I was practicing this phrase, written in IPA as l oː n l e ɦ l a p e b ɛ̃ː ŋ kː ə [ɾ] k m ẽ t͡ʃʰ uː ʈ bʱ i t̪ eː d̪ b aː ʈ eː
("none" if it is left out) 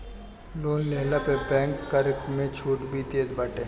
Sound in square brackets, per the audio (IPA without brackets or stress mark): ɾ